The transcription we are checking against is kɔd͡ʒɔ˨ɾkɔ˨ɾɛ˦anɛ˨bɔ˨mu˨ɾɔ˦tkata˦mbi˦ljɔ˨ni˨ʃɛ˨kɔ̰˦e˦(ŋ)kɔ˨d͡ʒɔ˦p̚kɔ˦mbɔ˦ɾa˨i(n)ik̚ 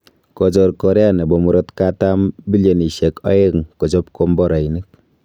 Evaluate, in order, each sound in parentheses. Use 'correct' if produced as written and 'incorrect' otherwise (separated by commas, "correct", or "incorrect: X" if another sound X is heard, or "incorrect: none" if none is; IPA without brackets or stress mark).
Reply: correct, correct